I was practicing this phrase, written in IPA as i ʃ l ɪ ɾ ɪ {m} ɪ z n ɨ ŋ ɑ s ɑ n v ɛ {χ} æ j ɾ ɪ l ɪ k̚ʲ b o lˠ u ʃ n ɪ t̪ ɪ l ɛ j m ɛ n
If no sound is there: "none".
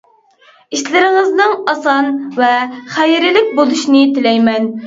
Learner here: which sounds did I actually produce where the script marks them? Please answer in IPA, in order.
ŋ, χ

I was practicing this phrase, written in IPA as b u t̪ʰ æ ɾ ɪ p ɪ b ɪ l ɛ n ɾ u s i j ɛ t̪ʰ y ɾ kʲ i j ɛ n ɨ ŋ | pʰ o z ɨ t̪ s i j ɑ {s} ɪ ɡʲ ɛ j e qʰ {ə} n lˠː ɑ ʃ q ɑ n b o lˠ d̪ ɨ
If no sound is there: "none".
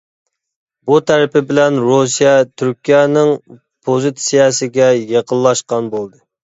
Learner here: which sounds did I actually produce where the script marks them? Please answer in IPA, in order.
s, ə

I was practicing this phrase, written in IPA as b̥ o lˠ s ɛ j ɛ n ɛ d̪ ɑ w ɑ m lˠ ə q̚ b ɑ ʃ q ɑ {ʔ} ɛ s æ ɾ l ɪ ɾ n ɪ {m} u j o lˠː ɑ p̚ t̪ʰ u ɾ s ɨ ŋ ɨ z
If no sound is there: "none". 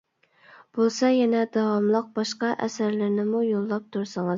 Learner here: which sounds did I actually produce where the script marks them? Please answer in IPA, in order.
ʔ, m

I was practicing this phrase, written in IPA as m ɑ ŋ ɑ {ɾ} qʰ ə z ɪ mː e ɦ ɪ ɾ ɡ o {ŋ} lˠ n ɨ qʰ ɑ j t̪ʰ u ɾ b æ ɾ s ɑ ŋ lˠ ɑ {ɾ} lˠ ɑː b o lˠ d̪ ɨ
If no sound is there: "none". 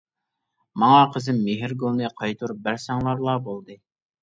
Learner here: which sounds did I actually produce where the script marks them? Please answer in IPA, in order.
none, none, ɾ

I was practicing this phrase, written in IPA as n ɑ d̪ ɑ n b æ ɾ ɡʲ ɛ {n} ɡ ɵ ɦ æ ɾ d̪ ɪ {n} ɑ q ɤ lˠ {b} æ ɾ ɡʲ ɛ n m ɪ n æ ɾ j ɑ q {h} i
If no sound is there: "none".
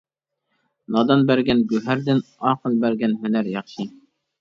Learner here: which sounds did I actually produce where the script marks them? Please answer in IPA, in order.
n, n, b, ʃ

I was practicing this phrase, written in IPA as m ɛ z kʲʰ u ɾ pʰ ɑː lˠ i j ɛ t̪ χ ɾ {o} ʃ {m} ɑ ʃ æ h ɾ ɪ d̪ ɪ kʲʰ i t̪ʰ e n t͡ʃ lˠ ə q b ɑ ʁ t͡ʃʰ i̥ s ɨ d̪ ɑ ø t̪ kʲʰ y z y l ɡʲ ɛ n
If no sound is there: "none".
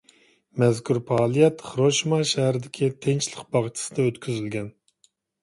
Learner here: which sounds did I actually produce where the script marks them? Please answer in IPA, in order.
o, m

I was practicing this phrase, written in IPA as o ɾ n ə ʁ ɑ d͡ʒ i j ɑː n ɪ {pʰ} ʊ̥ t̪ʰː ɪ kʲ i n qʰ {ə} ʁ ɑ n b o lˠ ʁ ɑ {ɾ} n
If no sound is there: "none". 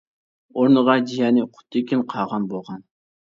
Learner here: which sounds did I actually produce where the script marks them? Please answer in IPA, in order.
qʰ, ɑ, none

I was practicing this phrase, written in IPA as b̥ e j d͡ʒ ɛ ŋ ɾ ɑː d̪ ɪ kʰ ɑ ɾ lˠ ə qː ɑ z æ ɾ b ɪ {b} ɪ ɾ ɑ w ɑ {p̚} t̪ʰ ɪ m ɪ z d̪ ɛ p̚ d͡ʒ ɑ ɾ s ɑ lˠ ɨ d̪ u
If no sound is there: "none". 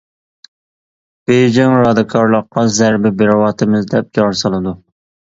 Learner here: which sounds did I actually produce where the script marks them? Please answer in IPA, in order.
b, none

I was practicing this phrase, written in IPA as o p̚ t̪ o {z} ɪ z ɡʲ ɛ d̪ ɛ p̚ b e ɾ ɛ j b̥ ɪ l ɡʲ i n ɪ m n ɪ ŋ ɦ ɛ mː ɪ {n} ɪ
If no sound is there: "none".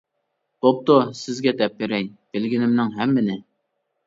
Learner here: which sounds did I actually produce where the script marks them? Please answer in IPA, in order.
s, n

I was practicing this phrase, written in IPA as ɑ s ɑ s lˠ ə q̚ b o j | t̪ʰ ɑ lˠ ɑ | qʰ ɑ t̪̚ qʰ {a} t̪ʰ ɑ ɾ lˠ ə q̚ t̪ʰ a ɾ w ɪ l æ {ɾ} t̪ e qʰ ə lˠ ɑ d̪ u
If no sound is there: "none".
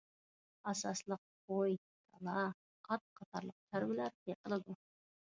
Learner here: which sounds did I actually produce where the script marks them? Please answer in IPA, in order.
ɑ, ɾ

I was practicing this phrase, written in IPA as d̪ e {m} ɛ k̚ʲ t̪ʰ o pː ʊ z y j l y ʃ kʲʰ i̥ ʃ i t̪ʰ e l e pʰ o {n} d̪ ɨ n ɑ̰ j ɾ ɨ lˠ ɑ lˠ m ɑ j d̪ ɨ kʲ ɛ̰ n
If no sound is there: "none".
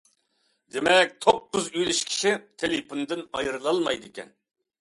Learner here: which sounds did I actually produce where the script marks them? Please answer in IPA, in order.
m, n

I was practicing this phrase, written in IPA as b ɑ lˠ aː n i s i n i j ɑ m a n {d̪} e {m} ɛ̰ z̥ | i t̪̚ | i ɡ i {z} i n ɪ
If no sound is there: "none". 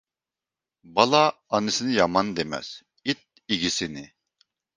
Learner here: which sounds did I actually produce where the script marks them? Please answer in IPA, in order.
d̪, m, s

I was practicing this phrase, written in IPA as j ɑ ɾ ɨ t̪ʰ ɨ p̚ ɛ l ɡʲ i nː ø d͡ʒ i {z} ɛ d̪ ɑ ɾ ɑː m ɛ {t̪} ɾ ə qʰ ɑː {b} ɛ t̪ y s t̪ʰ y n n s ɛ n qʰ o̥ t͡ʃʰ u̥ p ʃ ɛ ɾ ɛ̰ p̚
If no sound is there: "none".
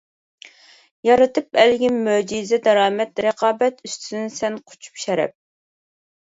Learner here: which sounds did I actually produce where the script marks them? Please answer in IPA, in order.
z, t̪, b

